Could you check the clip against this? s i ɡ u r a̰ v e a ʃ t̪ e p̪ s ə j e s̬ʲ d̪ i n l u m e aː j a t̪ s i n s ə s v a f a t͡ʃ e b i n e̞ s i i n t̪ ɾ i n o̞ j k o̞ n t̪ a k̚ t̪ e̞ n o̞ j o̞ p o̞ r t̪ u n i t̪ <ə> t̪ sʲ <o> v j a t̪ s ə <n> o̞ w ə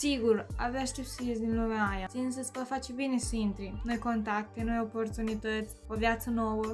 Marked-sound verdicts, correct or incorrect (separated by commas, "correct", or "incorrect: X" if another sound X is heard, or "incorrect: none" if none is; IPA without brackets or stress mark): correct, correct, correct